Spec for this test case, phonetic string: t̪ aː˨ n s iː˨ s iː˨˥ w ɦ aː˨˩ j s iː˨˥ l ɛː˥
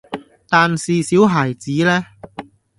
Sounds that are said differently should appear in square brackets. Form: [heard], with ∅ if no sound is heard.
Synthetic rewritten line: t̪ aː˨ n s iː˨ s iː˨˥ w ɦ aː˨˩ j [t͡s] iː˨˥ l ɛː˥